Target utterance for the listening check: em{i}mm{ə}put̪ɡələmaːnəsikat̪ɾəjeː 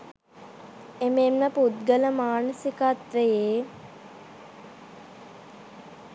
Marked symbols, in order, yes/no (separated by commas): no, yes